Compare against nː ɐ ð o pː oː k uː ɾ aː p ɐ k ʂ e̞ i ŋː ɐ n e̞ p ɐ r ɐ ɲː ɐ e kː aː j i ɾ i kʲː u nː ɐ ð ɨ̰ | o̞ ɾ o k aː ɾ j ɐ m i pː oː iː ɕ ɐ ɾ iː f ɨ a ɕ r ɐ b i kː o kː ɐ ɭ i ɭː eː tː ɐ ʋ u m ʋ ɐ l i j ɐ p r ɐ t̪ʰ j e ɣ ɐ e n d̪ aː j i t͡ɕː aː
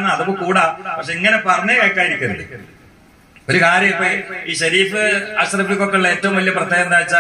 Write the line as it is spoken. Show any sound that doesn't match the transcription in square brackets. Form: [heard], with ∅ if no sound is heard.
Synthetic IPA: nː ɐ ð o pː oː k uː [ɽ] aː p ɐ k ʂ e̞ i ŋː ɐ n e̞ p ɐ r ɐ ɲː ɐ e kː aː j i ɾ i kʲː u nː ɐ ð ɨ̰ | o̞ ɾ [u] k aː ɾ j ɐ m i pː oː iː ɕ ɐ ɾ iː f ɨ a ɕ r ɐ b i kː o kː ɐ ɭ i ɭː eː tː ɐ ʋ u m ʋ ɐ l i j ɐ p r ɐ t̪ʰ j e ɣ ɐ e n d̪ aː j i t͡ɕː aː